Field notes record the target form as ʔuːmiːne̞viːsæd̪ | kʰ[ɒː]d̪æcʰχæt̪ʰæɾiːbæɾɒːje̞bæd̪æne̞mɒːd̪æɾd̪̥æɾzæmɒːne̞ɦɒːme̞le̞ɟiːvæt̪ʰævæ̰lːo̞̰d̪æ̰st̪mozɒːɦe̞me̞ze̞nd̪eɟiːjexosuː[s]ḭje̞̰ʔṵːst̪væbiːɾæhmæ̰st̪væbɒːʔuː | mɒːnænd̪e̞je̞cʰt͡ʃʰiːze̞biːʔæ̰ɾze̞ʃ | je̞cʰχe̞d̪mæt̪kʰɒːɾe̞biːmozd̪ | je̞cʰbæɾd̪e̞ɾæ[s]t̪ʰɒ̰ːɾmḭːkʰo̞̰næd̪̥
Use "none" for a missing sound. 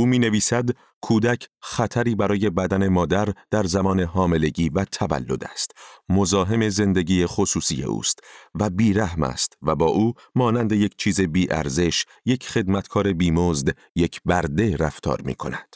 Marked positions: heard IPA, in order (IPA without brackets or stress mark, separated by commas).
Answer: uː, s, f